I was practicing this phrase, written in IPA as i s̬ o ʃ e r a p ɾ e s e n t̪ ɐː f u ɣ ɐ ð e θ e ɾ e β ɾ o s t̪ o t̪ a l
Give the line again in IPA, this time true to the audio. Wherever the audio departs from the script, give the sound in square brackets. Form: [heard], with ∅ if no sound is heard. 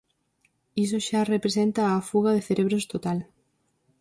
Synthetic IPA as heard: i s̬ o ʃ [a] r [e] p ɾ e s e n t̪ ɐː f u ɣ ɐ ð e θ e ɾ e β ɾ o s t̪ o t̪ a l